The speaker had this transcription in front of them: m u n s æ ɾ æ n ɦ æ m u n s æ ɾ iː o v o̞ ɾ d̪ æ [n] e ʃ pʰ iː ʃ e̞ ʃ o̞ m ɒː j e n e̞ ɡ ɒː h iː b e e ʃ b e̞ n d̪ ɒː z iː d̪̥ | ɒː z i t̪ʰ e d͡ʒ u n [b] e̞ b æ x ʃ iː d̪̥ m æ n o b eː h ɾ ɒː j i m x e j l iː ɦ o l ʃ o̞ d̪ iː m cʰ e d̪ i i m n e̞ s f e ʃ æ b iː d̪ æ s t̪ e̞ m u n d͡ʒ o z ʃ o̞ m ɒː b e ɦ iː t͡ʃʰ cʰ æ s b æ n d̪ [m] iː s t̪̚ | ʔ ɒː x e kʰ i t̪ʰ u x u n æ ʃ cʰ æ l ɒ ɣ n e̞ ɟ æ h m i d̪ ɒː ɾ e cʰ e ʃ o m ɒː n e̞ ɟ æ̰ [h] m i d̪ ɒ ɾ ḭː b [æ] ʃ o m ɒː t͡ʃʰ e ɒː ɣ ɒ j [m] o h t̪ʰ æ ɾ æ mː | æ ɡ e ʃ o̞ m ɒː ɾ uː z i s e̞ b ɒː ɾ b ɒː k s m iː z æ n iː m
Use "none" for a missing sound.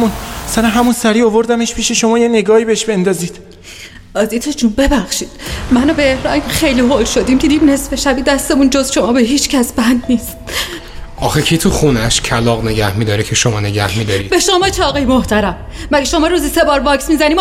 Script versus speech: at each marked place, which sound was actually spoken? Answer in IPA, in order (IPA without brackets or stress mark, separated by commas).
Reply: m, b, n, h, e, m